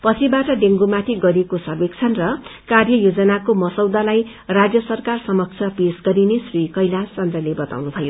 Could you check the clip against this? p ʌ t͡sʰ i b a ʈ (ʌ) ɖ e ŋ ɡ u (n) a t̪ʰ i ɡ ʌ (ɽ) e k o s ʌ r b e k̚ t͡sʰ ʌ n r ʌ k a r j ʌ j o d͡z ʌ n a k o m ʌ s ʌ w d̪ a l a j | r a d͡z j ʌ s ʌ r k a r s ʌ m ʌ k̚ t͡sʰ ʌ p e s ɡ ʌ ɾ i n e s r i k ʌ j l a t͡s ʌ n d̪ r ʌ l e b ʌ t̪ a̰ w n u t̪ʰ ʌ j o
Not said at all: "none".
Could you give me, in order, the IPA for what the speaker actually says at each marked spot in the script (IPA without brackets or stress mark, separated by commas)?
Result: ʌ, m, ɾ